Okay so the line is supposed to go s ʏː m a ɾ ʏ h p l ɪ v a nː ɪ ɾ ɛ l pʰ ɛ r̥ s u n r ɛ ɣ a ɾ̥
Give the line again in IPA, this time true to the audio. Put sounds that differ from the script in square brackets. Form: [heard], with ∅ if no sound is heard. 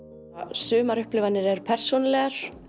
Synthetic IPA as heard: s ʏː m a ɾ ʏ h p l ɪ v a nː ɪ ɾ ɛ [ɾ] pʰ ɛ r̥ s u n [l] ɛ ɣ a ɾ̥